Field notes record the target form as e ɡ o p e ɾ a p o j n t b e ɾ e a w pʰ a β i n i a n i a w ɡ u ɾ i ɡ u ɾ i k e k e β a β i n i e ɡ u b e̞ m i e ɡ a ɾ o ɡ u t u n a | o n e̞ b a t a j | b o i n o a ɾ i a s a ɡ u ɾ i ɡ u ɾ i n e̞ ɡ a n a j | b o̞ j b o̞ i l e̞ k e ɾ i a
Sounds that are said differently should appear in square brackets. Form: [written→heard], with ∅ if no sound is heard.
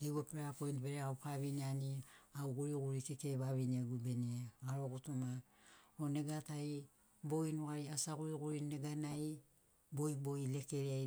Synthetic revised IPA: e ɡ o p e ɾ a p o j n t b e ɾ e a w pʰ a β i n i a n i a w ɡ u ɾ i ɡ u ɾ i k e k e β a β i n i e ɡ u b e̞ [m→n] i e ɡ a ɾ o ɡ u t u [n→m] a | o n e̞ [b→ɡ] a t a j | b o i n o a ɾ i a s a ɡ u ɾ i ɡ u ɾ i n e̞ ɡ a n a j | b o̞ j b o̞ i l e̞ k e ɾ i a